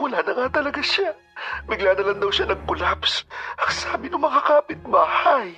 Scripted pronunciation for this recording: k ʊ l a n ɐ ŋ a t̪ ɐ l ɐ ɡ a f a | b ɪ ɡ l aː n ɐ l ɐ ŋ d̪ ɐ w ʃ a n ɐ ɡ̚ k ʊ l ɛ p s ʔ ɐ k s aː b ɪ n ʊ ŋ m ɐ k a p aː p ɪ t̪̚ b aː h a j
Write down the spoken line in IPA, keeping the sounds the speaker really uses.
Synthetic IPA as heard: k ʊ l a n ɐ ŋ a t̪ ɐ l ɐ ɡ a ʃ a | b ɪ ɡ l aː n ɐ l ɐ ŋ d̪ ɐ w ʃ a n ɐ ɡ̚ k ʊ l a p s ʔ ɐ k s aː b ɪ n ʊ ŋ m ɐ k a k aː p ɪ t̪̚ b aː h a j